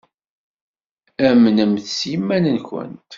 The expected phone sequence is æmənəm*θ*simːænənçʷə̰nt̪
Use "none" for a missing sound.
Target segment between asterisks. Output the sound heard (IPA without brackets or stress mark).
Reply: θ